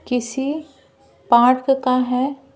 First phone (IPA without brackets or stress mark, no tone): k